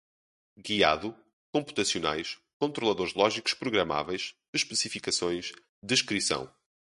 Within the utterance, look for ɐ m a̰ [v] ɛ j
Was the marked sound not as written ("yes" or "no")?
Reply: no